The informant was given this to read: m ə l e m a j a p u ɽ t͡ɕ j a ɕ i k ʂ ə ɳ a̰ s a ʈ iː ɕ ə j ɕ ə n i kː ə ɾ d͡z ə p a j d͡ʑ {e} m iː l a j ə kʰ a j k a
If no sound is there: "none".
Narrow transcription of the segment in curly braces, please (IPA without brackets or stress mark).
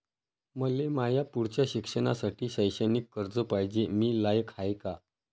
e